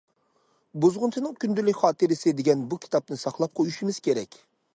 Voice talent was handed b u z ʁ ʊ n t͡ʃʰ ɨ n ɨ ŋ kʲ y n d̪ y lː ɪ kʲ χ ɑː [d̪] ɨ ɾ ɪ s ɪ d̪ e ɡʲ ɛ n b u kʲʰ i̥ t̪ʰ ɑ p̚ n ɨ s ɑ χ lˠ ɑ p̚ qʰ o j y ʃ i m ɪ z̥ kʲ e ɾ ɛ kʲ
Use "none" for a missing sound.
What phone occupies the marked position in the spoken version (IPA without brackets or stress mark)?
t̪